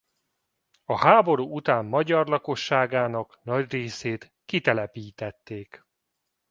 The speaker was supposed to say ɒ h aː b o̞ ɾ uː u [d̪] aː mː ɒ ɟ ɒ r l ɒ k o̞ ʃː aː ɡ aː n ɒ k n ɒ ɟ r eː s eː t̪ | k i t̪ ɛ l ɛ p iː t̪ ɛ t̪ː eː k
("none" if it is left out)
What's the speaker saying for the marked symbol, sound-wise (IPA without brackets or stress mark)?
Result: t̪